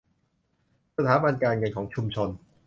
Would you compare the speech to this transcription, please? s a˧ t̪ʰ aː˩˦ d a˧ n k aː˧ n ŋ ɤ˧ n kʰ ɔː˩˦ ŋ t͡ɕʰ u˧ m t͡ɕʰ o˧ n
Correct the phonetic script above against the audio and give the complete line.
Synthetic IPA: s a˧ t̪ʰ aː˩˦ b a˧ n k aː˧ n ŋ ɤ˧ n kʰ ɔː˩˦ ŋ t͡ɕʰ u˧ m t͡ɕʰ o˧ n